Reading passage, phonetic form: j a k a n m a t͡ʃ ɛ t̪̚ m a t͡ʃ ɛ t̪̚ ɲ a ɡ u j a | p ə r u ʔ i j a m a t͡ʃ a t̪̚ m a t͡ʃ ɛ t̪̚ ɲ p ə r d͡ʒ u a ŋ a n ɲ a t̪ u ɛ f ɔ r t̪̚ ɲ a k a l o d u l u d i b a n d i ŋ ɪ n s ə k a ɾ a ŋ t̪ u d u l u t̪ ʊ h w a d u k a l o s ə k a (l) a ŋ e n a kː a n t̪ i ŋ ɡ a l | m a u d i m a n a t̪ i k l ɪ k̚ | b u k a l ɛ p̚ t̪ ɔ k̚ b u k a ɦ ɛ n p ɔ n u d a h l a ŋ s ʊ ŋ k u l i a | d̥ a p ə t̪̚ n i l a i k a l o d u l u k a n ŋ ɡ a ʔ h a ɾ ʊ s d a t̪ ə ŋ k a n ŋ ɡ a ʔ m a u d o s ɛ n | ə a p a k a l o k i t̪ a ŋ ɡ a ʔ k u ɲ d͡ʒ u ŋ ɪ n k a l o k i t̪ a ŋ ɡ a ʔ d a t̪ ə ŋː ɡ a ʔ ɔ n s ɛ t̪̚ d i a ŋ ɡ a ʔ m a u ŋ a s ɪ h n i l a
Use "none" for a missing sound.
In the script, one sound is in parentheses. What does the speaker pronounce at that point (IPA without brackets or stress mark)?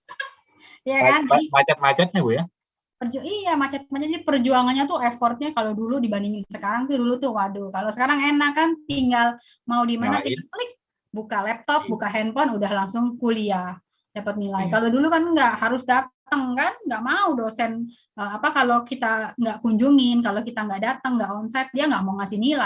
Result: ɾ